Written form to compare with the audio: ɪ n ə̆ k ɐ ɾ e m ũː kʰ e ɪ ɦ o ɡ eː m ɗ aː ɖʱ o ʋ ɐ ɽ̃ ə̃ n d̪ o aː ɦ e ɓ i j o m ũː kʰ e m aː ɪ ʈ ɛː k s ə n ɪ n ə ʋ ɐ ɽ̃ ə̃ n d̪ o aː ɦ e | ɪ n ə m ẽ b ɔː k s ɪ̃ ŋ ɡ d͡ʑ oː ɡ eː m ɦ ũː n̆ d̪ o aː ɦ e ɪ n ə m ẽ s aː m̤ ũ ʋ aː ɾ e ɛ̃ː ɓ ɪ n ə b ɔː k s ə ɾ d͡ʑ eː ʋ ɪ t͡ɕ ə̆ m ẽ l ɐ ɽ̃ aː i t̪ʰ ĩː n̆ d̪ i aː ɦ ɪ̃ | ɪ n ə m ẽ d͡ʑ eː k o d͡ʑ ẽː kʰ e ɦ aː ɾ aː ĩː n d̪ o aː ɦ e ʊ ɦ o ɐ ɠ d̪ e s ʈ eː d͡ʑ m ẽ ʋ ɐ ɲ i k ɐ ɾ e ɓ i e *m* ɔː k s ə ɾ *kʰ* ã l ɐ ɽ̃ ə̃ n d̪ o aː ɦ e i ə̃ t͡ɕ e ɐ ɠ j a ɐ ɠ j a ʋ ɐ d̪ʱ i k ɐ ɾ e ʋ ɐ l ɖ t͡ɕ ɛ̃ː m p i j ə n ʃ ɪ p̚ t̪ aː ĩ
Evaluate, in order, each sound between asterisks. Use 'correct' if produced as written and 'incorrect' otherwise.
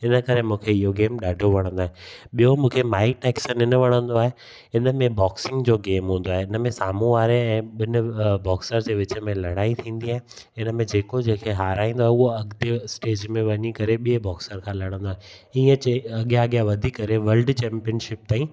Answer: incorrect, correct

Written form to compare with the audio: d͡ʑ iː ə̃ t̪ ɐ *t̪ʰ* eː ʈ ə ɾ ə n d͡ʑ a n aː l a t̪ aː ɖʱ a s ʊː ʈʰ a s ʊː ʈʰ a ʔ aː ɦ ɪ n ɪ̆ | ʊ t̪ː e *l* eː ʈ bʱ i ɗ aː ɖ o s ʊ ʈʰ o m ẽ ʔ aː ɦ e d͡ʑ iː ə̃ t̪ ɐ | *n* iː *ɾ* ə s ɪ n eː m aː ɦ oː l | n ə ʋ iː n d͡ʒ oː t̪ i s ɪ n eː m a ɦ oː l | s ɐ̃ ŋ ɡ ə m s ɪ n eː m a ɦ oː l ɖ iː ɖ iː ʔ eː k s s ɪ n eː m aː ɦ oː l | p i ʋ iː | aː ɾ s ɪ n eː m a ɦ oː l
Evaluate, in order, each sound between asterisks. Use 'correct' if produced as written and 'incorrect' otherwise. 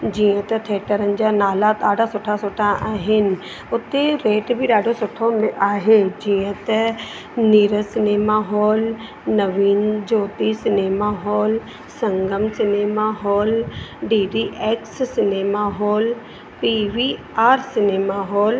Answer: correct, incorrect, correct, correct

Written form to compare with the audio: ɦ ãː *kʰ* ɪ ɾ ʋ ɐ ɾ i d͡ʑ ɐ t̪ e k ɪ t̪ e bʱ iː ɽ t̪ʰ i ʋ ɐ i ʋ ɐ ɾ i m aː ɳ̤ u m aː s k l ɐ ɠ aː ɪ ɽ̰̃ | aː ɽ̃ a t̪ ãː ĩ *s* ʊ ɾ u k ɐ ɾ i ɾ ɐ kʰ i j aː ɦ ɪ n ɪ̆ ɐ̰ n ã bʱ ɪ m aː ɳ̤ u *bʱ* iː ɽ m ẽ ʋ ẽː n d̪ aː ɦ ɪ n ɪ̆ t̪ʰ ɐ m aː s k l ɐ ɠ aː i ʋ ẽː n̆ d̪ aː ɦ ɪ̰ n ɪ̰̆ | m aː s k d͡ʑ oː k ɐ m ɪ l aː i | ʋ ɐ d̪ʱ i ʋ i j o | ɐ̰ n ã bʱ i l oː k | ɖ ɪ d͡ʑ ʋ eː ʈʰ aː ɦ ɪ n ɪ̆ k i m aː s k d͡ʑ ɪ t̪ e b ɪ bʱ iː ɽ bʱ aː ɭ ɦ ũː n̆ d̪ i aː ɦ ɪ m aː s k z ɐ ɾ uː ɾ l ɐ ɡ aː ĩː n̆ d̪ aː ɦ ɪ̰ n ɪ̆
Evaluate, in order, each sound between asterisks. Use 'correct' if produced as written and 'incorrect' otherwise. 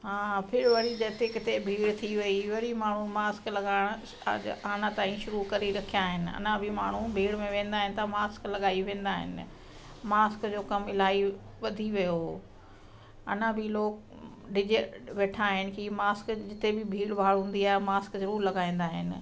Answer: incorrect, incorrect, correct

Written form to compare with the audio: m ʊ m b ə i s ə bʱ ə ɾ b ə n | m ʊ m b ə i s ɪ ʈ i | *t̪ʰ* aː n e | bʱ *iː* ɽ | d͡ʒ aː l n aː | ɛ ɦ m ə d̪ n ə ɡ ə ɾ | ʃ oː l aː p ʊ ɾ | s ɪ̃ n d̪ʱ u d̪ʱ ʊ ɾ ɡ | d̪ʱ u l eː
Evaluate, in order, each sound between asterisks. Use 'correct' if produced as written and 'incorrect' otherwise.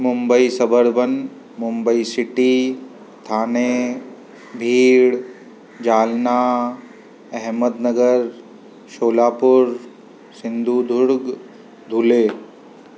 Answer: correct, correct

